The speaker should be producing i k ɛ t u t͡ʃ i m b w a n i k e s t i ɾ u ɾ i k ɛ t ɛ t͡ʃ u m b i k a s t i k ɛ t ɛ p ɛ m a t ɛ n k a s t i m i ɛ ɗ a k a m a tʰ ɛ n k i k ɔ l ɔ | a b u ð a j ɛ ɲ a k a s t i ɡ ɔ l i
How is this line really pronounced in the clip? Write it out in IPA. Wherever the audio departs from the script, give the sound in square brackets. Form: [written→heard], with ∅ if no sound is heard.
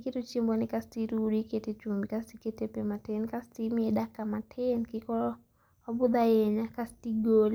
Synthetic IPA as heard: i k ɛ t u t͡ʃ i m b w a n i k [e→a] s t i ɾ u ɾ i k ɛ t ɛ t͡ʃ u m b i k a s t i k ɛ t ɛ p ɛ m a t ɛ n k a s t i m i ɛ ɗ a k a m a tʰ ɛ n k i k ɔ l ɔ | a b u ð a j ɛ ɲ a k a s t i ɡ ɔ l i